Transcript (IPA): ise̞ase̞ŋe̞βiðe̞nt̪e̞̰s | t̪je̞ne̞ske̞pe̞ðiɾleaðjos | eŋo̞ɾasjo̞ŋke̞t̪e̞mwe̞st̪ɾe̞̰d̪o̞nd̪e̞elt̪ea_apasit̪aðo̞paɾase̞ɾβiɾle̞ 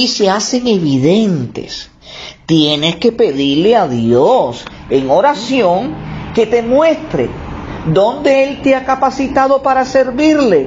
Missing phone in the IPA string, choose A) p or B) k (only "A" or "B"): B